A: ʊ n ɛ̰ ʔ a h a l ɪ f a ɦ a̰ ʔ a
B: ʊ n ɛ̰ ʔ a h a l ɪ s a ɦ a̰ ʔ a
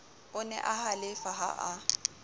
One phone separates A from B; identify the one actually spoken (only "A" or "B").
A